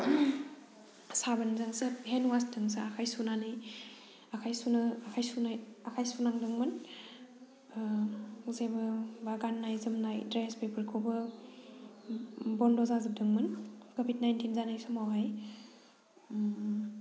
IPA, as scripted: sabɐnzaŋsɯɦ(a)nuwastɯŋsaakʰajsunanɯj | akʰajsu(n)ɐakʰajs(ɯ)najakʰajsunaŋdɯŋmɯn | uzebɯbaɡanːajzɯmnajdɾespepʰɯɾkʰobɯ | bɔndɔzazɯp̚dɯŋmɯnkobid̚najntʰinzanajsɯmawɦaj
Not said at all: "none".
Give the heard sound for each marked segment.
e, n, u

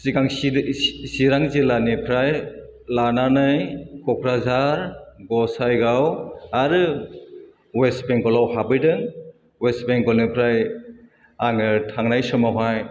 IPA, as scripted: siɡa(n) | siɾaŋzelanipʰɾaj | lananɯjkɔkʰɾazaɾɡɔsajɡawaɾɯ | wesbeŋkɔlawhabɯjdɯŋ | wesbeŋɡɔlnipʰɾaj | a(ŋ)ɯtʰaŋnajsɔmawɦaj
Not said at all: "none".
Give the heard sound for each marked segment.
ŋ, ŋ

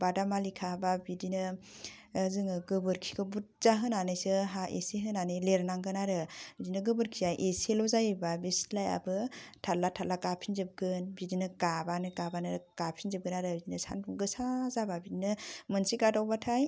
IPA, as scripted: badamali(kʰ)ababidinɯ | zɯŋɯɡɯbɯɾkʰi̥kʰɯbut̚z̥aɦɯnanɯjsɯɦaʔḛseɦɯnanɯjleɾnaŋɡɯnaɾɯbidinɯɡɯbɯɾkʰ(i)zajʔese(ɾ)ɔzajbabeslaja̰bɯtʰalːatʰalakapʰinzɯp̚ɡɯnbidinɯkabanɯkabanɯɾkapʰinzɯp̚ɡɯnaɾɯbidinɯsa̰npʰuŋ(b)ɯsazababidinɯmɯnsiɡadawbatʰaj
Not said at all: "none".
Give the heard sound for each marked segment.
kʰ, i, l, ɡ

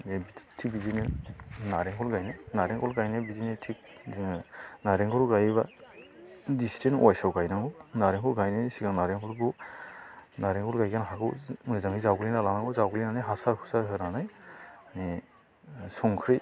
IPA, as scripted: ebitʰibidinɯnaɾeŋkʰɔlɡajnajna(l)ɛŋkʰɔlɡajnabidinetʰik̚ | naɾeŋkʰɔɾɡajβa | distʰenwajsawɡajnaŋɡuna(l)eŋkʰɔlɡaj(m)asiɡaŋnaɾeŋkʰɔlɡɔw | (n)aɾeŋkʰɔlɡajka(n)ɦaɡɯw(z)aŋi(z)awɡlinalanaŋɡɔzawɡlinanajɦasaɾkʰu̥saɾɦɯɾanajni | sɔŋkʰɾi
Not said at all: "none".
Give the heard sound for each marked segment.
ɾ, ɾ, n, n, n, z, z

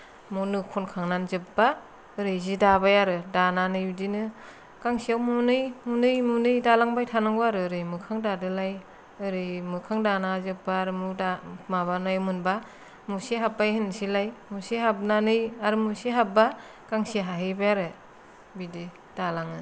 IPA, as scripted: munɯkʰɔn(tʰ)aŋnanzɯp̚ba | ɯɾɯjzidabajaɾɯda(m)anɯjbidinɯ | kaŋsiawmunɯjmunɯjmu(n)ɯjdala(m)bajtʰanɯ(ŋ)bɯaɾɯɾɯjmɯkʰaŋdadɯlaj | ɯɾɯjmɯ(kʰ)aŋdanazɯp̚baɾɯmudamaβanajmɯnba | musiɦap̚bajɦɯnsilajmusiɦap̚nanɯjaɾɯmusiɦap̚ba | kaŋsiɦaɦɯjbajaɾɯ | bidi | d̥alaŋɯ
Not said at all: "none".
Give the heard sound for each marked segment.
kʰ, n, n, ŋ, ŋ, kʰ

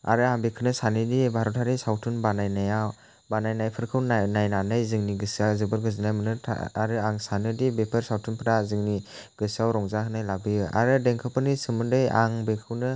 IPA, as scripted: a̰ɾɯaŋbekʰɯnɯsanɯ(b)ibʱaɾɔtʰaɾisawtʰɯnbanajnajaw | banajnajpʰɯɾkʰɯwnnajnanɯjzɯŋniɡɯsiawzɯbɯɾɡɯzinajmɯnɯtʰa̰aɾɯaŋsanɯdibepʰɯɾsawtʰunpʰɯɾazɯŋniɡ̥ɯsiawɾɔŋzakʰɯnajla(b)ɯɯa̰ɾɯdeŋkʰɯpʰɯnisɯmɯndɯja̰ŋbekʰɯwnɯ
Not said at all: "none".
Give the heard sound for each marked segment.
d, b

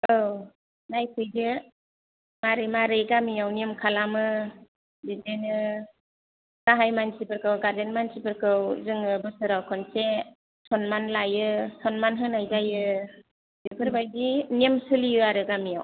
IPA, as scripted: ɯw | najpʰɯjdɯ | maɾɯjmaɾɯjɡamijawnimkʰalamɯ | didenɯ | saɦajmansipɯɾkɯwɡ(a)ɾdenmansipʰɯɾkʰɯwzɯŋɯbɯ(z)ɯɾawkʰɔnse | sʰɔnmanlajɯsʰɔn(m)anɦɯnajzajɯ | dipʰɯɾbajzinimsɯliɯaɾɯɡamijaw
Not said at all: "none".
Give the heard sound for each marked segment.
a, s, m

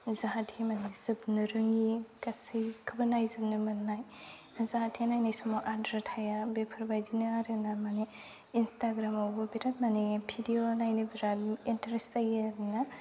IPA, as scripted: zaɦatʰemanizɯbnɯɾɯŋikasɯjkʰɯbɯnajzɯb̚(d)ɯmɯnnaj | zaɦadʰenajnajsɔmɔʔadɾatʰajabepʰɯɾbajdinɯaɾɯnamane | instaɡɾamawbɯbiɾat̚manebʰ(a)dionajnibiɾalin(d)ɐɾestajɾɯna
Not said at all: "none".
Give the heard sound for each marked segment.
n, i, t

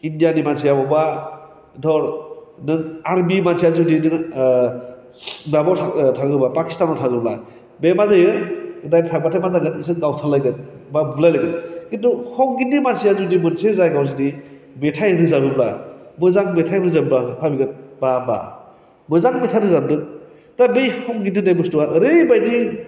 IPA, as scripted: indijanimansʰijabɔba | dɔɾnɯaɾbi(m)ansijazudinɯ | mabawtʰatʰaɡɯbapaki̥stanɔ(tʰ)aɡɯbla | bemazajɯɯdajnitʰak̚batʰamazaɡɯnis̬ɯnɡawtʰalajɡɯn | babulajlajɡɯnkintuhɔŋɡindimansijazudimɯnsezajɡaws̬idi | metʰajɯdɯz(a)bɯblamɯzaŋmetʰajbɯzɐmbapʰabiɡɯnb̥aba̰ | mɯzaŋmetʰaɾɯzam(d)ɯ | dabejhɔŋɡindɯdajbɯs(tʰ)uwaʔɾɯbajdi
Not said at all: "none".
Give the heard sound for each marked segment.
m, tʰ, a, d, t

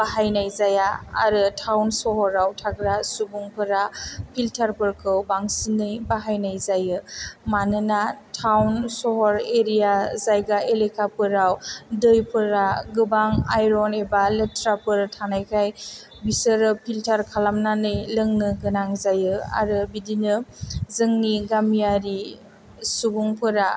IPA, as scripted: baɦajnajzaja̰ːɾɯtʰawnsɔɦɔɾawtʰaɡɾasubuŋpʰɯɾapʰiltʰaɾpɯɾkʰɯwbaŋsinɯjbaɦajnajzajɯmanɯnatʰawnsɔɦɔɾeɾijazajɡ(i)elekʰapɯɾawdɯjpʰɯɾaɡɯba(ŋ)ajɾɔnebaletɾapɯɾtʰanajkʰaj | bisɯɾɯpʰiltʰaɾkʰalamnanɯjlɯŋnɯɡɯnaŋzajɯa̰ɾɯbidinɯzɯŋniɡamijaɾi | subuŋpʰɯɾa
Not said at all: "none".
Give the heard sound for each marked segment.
a, ŋ

